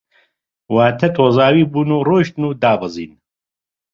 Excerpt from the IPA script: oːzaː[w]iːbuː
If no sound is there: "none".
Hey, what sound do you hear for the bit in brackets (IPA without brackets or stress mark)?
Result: w